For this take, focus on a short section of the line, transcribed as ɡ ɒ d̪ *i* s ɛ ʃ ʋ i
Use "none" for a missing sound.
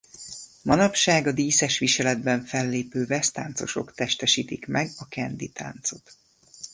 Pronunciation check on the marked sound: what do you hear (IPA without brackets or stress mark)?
iː